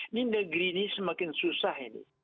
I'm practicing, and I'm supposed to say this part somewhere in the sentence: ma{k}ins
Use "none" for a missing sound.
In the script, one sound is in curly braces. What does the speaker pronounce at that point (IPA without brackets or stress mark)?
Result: k